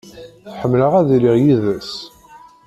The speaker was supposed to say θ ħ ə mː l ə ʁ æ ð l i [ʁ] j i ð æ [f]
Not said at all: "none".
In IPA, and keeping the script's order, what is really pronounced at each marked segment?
ʁ, s

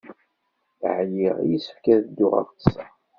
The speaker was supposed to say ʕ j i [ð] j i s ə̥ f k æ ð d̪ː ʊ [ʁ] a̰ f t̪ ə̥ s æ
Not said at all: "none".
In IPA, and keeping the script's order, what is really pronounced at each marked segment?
ʁ, ʁ

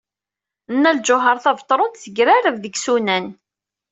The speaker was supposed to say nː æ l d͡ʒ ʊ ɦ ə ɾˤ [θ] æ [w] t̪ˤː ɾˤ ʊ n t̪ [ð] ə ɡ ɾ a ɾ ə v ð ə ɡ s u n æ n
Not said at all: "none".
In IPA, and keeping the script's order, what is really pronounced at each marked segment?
θ, v, θ

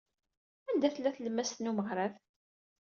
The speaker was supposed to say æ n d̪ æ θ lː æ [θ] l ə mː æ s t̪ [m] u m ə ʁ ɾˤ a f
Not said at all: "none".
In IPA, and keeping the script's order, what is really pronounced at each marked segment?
θ, n

